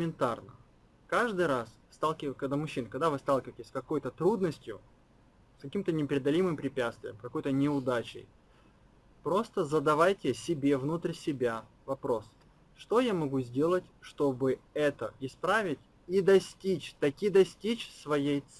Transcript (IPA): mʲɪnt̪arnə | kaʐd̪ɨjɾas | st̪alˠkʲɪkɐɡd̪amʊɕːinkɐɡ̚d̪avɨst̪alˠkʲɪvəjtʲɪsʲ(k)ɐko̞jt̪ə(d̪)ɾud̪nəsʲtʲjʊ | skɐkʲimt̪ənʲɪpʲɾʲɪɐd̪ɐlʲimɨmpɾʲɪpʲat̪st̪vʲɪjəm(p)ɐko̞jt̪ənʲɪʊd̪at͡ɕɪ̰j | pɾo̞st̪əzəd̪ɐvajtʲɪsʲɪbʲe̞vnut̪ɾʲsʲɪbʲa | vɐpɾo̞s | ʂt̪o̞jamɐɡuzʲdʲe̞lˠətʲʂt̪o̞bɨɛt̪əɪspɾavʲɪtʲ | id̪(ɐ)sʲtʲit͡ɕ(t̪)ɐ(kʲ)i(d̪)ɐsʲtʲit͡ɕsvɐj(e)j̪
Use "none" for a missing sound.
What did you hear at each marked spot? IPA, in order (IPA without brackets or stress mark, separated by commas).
k, t̪, k, ɐ, t̪, kʲ, d̪, e